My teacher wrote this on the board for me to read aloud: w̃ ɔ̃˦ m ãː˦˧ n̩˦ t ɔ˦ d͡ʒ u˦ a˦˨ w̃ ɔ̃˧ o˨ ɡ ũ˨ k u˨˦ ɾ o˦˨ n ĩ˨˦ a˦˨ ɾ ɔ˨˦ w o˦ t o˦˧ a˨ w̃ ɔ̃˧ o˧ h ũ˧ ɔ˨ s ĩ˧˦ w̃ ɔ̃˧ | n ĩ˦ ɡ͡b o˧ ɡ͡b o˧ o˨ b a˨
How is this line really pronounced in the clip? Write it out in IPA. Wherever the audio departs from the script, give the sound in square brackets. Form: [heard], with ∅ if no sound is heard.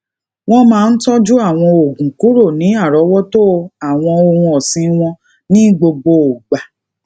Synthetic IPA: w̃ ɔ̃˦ m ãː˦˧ n̩˦ t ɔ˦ d͡ʒ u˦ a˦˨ w̃ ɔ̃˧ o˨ ɡ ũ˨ k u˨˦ ɾ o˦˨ n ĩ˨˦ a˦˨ ɾ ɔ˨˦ w [ɔ˦] t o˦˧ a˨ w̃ ɔ̃˧ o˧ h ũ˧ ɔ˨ s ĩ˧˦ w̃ ɔ̃˧ | n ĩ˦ ɡ͡b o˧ ɡ͡b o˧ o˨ [ɡ͡b] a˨